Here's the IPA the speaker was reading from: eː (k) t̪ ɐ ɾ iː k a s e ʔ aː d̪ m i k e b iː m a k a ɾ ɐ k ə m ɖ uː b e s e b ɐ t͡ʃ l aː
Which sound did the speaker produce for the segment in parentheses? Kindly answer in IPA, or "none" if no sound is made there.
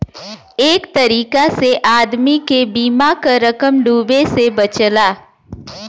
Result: k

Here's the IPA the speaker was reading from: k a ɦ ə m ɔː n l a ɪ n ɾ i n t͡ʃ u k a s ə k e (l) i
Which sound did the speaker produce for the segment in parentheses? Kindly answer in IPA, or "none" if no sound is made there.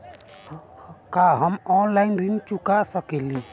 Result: l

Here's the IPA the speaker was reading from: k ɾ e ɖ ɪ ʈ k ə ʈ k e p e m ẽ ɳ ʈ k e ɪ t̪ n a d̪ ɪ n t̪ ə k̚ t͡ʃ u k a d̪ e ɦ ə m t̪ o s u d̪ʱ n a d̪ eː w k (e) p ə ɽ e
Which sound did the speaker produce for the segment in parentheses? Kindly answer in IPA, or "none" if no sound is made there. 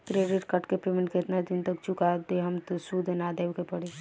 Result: e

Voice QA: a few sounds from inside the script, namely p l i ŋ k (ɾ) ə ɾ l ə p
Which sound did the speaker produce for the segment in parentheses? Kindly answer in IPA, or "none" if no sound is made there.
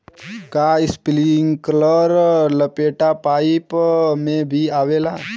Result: l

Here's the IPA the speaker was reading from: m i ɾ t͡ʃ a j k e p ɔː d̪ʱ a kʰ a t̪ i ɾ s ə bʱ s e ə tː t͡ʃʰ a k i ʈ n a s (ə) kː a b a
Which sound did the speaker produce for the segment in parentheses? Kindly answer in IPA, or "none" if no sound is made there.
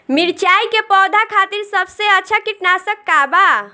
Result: ə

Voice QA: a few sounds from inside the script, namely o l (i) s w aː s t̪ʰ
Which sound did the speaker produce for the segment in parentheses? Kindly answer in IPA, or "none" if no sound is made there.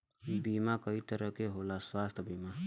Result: a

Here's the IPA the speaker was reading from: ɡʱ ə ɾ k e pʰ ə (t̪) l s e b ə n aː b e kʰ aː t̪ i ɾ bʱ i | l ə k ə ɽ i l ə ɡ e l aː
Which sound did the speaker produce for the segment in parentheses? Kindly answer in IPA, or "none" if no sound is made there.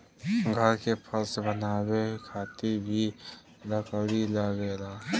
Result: none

